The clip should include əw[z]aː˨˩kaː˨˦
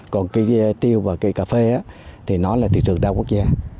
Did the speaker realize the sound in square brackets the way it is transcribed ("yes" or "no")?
no